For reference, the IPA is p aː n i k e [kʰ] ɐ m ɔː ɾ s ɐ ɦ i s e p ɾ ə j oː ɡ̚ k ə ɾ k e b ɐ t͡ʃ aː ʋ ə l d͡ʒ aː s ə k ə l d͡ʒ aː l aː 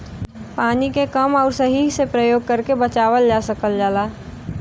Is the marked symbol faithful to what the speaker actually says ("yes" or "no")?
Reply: no